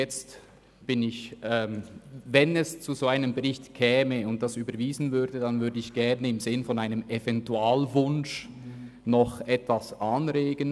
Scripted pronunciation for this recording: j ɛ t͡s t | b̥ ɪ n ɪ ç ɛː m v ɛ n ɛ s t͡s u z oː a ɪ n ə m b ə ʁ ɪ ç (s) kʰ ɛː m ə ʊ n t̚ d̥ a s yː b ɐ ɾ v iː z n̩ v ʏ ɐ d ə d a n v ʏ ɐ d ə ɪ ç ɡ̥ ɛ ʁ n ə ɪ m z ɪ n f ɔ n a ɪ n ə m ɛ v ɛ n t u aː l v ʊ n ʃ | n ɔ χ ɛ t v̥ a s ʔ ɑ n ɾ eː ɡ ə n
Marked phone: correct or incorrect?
incorrect